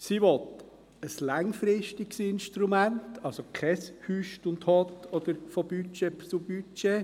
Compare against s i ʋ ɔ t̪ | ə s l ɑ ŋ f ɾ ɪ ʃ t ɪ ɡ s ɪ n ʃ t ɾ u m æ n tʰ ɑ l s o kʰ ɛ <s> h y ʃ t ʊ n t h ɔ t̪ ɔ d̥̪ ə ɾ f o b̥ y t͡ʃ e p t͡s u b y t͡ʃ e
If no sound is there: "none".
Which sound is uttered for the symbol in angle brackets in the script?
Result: s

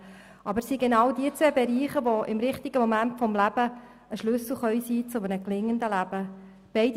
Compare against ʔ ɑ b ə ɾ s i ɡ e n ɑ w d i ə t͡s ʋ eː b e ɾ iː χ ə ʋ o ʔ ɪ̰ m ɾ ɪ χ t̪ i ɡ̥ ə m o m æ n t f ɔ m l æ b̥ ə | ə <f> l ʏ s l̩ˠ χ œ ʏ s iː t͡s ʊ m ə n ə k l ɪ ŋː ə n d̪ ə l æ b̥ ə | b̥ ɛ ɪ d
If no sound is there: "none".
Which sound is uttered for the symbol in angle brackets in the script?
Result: ʃ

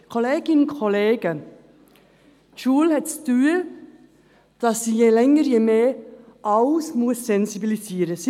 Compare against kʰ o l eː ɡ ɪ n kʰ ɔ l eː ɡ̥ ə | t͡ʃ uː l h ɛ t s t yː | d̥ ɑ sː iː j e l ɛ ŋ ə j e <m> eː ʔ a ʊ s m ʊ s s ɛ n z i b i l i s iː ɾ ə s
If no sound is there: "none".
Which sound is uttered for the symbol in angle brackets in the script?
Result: m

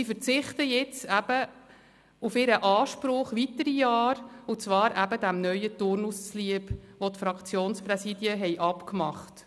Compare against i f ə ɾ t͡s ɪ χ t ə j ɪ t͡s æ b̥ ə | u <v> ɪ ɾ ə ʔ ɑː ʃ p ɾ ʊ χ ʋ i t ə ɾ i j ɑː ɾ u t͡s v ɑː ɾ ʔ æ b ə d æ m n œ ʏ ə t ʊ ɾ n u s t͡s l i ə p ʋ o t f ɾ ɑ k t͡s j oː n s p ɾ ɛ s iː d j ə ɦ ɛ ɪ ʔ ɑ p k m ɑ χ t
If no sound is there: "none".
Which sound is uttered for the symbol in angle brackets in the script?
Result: f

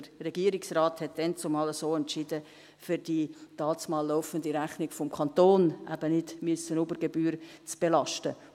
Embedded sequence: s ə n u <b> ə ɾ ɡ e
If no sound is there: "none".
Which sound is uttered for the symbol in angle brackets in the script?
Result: b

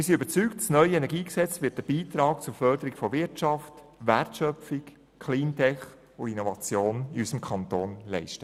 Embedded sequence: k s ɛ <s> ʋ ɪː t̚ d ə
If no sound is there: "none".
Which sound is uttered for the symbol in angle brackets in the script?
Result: t͡s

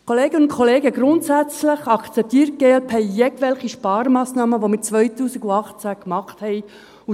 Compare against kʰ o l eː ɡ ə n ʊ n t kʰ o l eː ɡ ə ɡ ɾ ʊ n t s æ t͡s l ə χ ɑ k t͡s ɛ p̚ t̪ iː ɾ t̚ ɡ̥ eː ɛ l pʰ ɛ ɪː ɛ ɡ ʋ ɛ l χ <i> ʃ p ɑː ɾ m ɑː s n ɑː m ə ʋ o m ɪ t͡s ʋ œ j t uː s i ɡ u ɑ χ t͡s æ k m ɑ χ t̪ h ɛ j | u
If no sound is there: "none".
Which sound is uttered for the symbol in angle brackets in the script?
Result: i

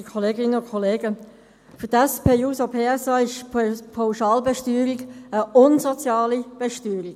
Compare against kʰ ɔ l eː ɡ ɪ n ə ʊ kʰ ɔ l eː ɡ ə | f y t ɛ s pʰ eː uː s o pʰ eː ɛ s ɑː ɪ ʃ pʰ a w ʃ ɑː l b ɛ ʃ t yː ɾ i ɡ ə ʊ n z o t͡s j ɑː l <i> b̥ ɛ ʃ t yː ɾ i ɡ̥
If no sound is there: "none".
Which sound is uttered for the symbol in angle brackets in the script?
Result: i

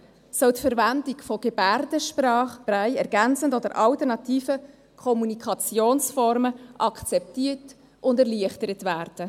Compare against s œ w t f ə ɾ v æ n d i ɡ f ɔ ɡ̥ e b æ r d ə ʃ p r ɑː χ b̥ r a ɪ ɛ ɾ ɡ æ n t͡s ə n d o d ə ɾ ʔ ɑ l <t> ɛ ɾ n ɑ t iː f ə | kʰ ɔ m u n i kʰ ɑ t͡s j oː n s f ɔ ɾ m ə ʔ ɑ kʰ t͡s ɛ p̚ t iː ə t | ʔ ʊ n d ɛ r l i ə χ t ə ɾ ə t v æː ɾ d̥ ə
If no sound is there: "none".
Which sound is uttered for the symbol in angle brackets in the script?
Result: t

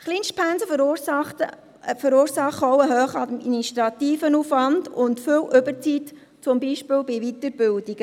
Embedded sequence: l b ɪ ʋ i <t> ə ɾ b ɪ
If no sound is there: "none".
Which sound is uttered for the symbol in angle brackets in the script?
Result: t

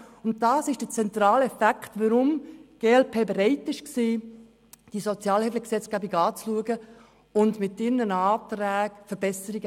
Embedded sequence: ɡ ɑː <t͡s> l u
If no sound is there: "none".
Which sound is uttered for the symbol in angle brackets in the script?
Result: t͡s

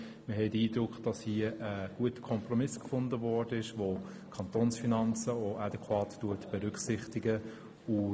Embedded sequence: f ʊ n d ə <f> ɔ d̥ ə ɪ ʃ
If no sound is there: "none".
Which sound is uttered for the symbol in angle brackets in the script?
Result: v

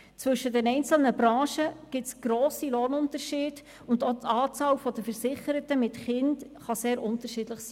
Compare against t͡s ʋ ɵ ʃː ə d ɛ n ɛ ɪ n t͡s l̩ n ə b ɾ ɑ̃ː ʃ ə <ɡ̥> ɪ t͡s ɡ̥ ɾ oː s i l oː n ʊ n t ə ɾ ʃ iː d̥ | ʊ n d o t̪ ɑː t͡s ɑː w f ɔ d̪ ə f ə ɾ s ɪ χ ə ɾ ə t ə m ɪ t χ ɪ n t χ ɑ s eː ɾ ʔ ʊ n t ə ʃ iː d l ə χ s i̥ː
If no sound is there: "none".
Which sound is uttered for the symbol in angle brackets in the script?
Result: ɡ̥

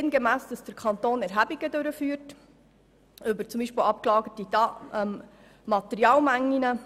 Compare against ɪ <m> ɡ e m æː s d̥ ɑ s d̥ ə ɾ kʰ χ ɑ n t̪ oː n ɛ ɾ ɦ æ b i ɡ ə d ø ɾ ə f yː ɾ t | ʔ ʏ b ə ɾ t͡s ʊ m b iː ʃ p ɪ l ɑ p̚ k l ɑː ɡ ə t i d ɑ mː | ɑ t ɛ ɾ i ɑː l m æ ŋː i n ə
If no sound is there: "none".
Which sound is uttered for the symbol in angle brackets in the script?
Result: n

